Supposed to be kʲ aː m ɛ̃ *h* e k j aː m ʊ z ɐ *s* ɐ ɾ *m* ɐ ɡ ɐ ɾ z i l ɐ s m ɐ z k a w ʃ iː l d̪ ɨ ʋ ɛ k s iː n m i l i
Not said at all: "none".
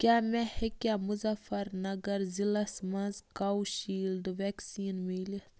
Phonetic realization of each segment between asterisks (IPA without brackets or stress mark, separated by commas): h, f, n